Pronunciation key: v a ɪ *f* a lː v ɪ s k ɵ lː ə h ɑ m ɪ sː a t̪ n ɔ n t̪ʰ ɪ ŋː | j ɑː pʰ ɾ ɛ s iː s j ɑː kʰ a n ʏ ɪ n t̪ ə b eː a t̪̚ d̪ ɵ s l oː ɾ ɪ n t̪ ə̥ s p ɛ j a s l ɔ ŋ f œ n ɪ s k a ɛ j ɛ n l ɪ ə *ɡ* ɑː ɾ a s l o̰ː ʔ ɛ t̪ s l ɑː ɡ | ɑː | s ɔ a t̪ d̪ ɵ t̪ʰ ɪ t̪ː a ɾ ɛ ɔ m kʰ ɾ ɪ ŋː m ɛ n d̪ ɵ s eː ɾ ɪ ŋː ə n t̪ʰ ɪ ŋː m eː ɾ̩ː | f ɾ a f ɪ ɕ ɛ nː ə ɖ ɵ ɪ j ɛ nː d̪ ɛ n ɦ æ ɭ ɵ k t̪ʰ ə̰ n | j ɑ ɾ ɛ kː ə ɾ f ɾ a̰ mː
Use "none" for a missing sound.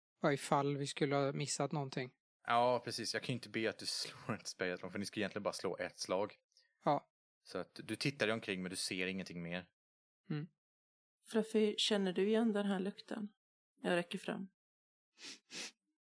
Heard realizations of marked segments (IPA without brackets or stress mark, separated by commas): f, b